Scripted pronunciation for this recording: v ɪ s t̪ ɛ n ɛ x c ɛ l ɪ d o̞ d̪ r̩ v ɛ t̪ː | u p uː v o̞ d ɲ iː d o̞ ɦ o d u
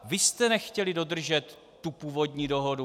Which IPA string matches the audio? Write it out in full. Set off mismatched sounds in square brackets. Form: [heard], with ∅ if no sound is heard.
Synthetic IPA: v ɪ s t̪ ɛ n ɛ x c ɛ l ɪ d o̞ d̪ r̩ [ʒ] ɛ t̪ː | u p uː v o̞ d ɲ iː d o̞ ɦ o d u

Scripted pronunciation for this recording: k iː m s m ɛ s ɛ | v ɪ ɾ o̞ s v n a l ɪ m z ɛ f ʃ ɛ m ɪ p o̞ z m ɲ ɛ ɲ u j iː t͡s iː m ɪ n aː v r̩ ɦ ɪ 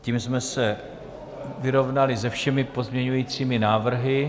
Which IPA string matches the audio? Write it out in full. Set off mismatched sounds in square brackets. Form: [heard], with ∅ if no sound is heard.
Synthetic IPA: [c] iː m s m ɛ s ɛ | v ɪ ɾ o̞ [∅] v n a l ɪ [∅] z ɛ f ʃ ɛ m ɪ p o̞ z m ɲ ɛ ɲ u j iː t͡s iː m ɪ n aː v r̩ ɦ ɪ

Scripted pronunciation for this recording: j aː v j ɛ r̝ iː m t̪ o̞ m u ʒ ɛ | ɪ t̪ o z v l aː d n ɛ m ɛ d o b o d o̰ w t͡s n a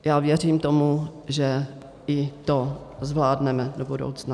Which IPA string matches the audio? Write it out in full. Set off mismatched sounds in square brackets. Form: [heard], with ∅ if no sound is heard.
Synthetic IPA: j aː v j ɛ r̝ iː m t̪ o̞ m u ʒ ɛ | ɪ t̪ o z v l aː d n ɛ m ɛ d o b [u] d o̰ w t͡s n a

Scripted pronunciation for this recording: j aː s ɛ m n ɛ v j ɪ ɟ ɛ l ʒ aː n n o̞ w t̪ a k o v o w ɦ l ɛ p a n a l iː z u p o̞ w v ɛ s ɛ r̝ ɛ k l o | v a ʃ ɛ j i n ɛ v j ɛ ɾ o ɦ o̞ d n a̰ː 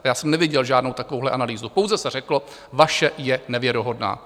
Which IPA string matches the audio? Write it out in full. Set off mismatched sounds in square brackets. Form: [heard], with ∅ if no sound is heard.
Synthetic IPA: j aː s ɛ m n ɛ v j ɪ ɟ ɛ l ʒ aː [d] n o̞ w t̪ a k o v o w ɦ l ɛ [ʔ] a n a l iː z u p o̞ w [z] ɛ s ɛ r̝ ɛ k l o | v a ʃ ɛ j [ɛ] n ɛ v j ɛ ɾ o ɦ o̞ d n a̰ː

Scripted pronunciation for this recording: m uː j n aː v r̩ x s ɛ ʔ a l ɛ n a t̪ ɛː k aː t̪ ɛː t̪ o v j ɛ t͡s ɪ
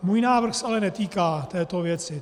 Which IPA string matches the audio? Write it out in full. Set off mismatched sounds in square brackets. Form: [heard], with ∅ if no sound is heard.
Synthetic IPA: m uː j n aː v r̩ x s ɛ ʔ a l ɛ n [ɛ] t̪ [iː] k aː t̪ ɛː t̪ o v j ɛ t͡s ɪ

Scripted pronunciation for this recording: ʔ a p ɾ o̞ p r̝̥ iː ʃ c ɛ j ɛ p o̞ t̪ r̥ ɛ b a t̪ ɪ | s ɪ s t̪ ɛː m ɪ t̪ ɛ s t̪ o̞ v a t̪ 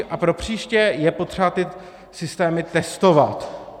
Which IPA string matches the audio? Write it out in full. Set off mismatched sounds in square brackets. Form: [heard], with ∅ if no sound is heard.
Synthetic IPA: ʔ a p ɾ o̞ p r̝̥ iː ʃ c ɛ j ɛ p o̞ t̪ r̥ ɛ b a t̪ ɪ | s ɪ s t̪ ɛː m ɪ t̪ ɛ s t̪ o̞ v a t̪

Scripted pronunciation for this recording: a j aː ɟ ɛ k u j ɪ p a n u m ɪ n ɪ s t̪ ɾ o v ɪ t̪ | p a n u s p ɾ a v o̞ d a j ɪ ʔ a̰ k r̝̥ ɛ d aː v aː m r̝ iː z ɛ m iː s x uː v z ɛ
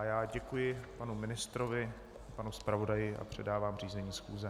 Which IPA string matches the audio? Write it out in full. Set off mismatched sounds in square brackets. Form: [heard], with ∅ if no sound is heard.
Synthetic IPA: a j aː ɟ ɛ k u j ɪ p a n u m ɪ n ɪ s t̪ ɾ o v ɪ [∅] | p a n u s p ɾ a v o̞ d a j ɪ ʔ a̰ [p] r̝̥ ɛ d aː v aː m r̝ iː z ɛ [ɲ] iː s x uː [∅] z ɛ

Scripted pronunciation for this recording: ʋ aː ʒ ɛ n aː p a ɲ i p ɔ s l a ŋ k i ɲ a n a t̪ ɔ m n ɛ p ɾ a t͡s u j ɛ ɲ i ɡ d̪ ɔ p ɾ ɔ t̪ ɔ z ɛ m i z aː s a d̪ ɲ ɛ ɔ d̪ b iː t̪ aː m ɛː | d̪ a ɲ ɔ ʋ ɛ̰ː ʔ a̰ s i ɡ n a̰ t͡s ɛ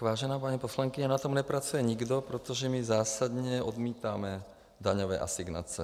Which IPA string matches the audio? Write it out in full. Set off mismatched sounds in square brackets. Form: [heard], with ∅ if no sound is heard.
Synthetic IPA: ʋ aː ʒ ɛ n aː p a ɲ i p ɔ s l a ŋ k i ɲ a n a t̪ ɔ m n ɛ p ɾ a t͡s u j ɛ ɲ i ɡ d̪ ɔ p ɾ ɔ t̪ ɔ [ʒ] ɛ m i z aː s a d̪ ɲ ɛ ɔ d̪ [m] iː t̪ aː m [ɛ] | d̪ a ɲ ɔ ʋ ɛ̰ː ʔ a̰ s i ɡ n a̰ t͡s ɛ

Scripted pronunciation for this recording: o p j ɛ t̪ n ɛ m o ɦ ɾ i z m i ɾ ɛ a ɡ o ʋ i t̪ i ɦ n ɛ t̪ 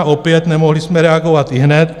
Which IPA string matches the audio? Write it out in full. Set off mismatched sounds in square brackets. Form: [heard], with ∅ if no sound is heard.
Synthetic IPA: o p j ɛ t̪ n ɛ m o ɦ [l] i [s] m [ɛ] ɾ ɛ a ɡ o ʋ [a] t̪ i ɦ n ɛ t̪

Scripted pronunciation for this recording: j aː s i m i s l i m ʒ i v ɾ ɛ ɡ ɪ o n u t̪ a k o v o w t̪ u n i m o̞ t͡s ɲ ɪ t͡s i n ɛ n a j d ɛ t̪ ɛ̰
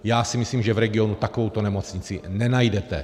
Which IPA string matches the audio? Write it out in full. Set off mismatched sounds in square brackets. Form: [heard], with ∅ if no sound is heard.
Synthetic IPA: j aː s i m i s l [iː] m ʒ [ɛ] v ɾ ɛ ɡ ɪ o n u t̪ a k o v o w t̪ [o] n [ɛ] m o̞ t͡s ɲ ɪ t͡s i n ɛ n a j d ɛ t̪ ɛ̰

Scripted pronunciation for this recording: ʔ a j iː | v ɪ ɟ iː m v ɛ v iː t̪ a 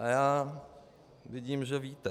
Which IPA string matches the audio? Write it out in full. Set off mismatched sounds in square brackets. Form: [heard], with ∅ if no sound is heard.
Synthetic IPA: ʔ a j [aː] | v ɪ ɟ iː m [ʒ] ɛ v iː t̪ [ɛ]

